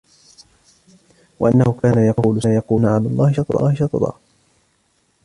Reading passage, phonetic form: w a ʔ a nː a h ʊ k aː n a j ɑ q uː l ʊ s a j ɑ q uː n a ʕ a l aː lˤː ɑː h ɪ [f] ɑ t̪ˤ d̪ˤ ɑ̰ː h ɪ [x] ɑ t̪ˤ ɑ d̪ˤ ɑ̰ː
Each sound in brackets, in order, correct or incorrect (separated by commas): incorrect, incorrect